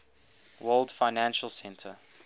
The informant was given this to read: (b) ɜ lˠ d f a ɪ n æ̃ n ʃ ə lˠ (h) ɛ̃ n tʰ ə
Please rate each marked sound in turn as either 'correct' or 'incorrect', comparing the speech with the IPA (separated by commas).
incorrect, incorrect